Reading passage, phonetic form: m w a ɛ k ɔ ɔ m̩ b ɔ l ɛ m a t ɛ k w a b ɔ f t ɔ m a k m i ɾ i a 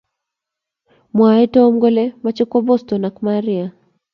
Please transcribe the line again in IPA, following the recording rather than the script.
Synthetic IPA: m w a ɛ t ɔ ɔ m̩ ɡ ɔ l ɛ m a t͡ʃ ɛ k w a b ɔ s t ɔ n a k m a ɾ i a

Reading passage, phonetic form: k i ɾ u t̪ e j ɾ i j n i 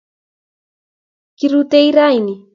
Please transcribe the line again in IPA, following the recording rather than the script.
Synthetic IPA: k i ɾ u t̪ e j ɾ a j n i

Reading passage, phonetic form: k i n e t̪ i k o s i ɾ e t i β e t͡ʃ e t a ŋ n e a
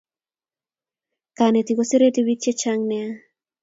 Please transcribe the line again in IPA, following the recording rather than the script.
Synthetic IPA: k a n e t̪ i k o s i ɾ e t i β i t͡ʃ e t͡ʃ a ŋ n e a

